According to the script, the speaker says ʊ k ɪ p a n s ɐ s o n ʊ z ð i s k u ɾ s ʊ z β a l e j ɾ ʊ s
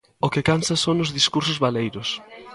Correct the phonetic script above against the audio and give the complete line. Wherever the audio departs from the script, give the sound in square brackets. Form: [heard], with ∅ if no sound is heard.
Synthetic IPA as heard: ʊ k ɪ [k] a n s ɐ s o n ʊ z ð i s k u ɾ s ʊ z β a l e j ɾ ʊ s